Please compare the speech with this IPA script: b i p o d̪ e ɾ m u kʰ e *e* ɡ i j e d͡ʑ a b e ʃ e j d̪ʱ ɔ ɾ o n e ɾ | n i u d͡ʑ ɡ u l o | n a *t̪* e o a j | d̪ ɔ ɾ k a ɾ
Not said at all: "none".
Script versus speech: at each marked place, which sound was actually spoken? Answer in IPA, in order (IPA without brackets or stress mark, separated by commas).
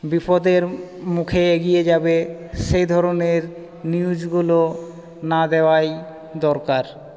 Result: e, d̪